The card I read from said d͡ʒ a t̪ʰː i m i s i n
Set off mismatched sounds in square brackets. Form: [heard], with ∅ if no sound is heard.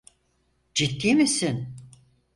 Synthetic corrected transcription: d͡ʒ [i] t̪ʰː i m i s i n